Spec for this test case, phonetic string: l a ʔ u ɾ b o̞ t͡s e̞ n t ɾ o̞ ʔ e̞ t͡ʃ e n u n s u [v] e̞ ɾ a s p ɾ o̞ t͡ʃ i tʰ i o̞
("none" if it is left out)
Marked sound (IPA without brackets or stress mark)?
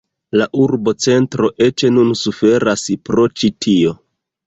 f